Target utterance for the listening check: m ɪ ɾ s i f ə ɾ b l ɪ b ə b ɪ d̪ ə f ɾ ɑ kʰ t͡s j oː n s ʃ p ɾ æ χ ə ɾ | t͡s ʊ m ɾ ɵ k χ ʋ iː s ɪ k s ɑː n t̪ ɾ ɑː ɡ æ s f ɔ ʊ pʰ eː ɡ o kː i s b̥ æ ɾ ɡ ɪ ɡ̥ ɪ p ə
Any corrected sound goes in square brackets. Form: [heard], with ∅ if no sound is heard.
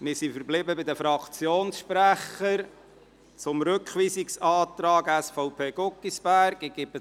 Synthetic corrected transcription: m ɪ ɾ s i f ə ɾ b l ɪ b ə b ɪ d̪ ə f ɾ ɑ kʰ t͡s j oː n s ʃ p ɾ æ χ ə ɾ | t͡s ʊ m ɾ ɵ k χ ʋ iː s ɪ k s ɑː [∅] t̪ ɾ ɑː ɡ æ s f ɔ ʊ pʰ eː ɡ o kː i s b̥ æ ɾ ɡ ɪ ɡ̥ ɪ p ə